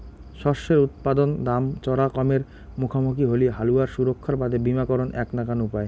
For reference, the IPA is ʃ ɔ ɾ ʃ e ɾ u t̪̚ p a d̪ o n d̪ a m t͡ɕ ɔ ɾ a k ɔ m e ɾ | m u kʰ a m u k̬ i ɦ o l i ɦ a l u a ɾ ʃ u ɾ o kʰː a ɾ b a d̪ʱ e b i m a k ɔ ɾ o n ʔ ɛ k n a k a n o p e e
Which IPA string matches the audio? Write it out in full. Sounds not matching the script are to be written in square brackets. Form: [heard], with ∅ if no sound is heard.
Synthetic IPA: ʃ ɔ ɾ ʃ e ɾ u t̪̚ p a d̪ o n d̪ a m t͡ɕ ɔ ɾ a k ɔ m e ɾ | m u kʰ a m u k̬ i ɦ o l i ɦ a l u a ɾ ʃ u ɾ o kʰː a ɾ b a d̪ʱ e b i m a k ɔ ɾ o n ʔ ɛ k n a k a n [u] p [a] e